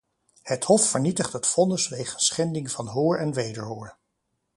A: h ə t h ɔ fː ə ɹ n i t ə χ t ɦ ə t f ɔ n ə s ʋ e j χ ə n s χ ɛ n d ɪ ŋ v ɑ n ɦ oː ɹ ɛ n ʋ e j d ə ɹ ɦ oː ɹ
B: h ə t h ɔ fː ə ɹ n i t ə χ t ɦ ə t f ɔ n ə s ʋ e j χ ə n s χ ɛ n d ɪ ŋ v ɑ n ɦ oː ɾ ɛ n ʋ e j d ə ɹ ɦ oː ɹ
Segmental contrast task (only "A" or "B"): A